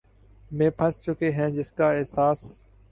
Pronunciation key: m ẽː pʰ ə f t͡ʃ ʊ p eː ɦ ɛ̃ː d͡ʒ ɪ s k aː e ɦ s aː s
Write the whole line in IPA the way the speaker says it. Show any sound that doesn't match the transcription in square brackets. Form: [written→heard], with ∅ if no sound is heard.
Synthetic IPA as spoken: m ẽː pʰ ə [f→s] t͡ʃ ʊ [p→k] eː ɦ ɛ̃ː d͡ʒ ɪ s k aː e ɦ s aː s